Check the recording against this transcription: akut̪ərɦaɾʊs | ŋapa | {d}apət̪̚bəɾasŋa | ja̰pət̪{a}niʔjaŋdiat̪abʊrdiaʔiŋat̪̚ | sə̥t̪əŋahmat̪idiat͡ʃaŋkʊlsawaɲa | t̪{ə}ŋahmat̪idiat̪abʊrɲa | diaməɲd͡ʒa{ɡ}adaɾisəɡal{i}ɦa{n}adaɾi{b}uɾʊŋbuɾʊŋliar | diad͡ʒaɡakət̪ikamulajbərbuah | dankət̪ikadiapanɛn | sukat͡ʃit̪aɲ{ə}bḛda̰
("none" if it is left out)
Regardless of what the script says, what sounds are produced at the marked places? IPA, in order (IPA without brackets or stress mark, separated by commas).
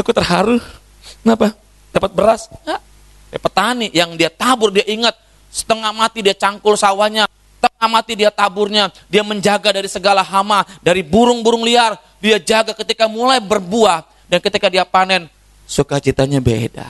d, a, ə, ɡ, a, m, b, a